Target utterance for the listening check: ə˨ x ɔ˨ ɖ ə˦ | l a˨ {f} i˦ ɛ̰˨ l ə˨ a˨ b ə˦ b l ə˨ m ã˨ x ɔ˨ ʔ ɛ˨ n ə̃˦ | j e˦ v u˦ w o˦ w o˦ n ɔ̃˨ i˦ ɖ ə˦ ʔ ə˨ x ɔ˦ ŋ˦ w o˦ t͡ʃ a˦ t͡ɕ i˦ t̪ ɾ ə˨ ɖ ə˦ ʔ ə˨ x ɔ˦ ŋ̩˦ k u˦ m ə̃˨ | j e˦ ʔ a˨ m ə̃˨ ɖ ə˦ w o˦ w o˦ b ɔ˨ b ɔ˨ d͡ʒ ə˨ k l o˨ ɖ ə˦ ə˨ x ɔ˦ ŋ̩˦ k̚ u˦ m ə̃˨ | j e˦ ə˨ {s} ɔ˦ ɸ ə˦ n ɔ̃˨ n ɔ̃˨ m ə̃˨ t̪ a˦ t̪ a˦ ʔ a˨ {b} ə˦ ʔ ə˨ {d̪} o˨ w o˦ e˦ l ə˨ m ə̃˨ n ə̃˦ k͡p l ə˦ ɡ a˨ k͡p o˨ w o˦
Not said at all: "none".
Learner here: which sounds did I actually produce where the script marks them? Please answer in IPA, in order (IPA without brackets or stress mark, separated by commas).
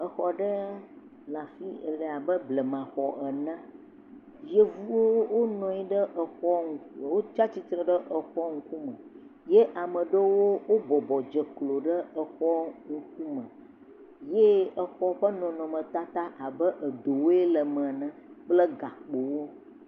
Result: f, x, b, d̪